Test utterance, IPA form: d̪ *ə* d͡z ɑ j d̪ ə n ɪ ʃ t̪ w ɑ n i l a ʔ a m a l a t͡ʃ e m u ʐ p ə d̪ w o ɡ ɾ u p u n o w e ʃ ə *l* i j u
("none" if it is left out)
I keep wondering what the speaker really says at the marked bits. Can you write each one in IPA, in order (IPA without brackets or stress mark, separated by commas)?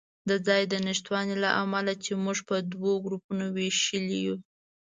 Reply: ə, l